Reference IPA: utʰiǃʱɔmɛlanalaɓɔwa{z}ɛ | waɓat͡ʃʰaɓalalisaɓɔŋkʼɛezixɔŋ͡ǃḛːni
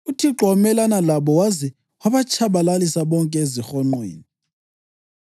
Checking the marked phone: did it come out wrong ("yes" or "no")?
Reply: no